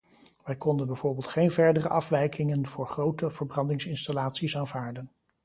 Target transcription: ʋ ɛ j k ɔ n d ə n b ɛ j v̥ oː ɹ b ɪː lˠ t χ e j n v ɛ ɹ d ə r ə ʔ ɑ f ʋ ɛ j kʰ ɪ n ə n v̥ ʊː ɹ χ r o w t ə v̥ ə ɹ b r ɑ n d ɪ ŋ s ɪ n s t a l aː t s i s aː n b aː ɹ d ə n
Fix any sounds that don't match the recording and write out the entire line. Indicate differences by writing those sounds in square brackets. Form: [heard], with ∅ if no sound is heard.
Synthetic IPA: ʋ ɛ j k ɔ n d ə n b ɛ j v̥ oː ɹ b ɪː lˠ t χ e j n v ɛ ɹ d ə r ə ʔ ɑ f ʋ ɛ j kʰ ɪ [ŋ] ə n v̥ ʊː ɹ χ r o w t ə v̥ ə ɹ b r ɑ n d ɪ ŋ s ɪ n s t a l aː t s i s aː n [v] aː ɹ d ə n